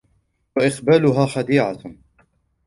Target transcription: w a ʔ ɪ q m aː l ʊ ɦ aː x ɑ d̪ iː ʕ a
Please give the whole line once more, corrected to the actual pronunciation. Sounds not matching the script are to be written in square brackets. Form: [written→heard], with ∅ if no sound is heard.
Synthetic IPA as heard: w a ʔ ɪ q [m→b] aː l ʊ ɦ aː x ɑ d̪ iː ʕ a